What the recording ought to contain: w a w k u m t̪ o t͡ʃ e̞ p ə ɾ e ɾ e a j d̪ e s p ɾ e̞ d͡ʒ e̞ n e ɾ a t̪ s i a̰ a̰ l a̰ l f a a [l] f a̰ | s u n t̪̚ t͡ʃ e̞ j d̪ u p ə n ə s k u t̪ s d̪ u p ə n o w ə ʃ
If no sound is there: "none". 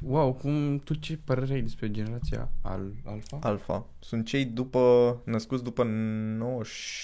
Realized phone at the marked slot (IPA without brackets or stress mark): l